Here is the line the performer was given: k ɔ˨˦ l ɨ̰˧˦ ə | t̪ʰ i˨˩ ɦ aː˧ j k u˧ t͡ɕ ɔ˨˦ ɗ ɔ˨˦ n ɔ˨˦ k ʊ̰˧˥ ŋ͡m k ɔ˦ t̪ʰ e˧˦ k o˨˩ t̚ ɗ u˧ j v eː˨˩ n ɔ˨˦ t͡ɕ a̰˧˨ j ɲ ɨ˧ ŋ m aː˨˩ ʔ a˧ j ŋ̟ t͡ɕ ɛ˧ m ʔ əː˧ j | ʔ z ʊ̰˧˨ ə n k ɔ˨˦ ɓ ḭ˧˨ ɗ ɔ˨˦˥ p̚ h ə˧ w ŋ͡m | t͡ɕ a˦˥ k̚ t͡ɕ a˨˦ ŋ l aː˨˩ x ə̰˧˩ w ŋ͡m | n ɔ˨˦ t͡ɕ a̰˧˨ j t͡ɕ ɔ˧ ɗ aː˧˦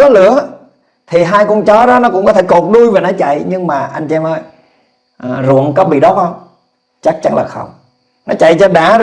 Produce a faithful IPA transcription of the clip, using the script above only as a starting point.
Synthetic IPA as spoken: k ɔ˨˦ l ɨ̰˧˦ ə | t̪ʰ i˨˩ ɦ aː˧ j k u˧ t͡ɕ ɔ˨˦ ɗ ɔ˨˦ n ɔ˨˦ k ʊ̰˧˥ ŋ͡m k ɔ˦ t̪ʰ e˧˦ k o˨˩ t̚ ɗ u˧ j v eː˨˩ n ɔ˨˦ t͡ɕ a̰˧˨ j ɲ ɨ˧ ŋ m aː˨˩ ʔ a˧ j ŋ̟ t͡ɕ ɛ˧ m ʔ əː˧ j | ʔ z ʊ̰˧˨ ə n k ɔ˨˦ ɓ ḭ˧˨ ɗ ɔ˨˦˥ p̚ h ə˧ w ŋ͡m | t͡ɕ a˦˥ k̚ t͡ɕ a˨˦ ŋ l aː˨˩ x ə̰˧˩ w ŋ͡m | n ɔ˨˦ t͡ɕ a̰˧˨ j t͡ɕ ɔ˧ ɗ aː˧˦